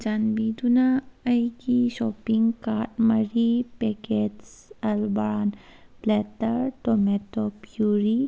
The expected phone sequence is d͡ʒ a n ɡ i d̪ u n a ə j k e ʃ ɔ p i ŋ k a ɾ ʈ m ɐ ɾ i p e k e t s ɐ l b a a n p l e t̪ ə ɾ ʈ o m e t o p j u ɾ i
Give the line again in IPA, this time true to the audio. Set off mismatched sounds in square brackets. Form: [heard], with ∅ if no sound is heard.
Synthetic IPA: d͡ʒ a n [b] i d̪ u n a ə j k [i] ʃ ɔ p i ŋ k a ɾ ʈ m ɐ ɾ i p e k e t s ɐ l b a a n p l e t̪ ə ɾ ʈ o m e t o p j u ɾ i